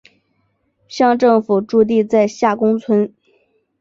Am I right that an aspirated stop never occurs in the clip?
no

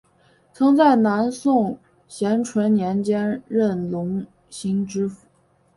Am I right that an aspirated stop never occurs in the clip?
no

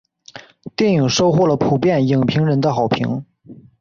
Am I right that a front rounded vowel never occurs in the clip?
yes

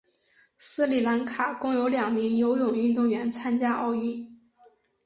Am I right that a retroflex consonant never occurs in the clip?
yes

